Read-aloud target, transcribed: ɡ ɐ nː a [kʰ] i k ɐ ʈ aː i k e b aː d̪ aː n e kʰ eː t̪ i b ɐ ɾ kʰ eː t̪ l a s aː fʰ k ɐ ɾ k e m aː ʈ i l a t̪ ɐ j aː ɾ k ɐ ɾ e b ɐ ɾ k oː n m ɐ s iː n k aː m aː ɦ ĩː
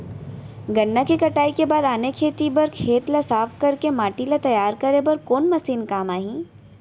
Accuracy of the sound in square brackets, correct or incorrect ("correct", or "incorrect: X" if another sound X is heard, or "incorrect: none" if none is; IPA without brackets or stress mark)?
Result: incorrect: k